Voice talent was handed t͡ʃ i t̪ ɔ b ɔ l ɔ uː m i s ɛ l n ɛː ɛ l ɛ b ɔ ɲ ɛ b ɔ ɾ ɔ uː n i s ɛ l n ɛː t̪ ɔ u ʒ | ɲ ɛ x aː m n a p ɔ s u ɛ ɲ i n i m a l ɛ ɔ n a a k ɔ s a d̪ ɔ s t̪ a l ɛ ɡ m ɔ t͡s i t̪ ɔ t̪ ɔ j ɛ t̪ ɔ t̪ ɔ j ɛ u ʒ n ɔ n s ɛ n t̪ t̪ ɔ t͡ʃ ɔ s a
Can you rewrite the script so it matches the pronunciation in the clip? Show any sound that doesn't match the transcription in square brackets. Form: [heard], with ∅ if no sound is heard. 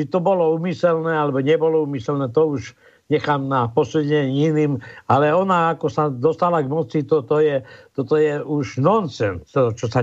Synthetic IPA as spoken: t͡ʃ i t̪ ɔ b ɔ l ɔ uː m i s ɛ l n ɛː [a] l ɛ b ɔ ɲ ɛ b ɔ [l] ɔ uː [m] i s ɛ l n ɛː t̪ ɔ u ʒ | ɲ ɛ x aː m n a p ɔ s u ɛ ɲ i n i m a l ɛ ɔ n a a k ɔ s a d̪ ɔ s t̪ a l [a] ɡ m ɔ t͡s i t̪ ɔ t̪ ɔ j ɛ t̪ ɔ t̪ ɔ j ɛ u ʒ n ɔ n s ɛ n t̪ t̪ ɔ t͡ʃ ɔ s a